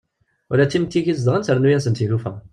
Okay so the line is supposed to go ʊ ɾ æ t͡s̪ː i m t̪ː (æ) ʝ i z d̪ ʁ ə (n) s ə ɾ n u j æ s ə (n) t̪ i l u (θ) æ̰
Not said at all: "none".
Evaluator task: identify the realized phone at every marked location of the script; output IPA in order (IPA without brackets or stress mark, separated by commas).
i, n, n, f